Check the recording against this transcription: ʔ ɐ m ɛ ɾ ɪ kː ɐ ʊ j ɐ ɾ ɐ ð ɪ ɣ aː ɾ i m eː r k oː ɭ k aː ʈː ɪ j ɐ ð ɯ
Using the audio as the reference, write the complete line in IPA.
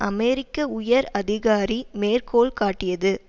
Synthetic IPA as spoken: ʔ ɐ m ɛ ɾ ɪ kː ɐ ʊ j ɐ ɾ ɐ ð ɪ ɣ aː ɾ i m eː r k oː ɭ k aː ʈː ɪ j ɐ ð ɯ